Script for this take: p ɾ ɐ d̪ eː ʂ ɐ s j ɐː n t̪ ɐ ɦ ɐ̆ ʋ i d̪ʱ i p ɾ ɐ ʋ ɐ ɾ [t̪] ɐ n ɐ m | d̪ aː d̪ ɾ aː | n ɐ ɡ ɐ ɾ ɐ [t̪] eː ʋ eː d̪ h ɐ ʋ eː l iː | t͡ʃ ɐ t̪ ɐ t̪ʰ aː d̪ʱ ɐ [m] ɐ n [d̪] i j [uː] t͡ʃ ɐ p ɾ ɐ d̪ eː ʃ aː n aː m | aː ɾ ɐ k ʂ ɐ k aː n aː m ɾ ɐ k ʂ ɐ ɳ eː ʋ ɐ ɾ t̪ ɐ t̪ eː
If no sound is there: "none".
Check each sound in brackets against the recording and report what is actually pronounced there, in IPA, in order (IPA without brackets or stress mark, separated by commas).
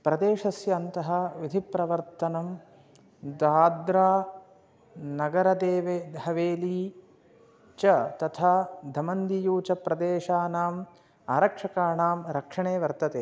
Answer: t̪, d̪, m, d̪, uː